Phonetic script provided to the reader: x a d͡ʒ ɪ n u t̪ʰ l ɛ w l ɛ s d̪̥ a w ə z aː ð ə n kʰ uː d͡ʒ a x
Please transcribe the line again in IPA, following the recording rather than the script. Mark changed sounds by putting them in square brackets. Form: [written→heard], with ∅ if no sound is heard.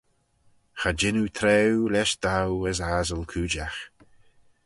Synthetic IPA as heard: x a d͡ʒ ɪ n u t̪ʰ [l→ɾ] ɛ w l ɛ [s→ʃ] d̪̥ a w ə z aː [ð→z] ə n kʰ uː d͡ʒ a x